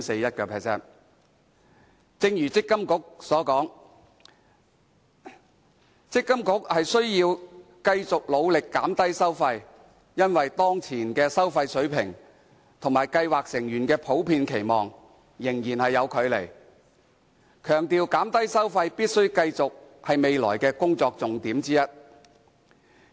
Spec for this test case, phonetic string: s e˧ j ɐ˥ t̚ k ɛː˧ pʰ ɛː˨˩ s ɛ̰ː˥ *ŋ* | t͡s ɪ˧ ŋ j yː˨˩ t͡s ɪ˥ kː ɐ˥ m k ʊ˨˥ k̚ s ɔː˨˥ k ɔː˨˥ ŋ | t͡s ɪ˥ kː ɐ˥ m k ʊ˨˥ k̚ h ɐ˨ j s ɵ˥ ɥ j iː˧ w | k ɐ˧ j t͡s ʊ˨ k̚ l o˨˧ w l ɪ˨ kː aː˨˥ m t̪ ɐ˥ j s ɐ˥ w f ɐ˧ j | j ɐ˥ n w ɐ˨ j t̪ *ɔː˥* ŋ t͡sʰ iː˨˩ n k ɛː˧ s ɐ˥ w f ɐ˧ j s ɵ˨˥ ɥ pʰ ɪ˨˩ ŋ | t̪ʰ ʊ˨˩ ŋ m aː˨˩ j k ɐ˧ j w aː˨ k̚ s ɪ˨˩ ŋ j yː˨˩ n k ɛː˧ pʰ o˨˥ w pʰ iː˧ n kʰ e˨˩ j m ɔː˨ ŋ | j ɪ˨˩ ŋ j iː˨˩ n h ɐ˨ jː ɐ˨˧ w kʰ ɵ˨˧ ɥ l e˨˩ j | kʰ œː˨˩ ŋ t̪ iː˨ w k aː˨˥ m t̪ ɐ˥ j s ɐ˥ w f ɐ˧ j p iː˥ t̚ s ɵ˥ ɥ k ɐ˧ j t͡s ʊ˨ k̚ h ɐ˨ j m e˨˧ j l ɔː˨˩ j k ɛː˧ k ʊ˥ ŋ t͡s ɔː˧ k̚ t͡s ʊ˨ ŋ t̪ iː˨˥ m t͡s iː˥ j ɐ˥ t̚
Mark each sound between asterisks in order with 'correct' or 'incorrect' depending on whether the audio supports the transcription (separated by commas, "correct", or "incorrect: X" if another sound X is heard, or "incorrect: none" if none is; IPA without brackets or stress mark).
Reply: incorrect: n, correct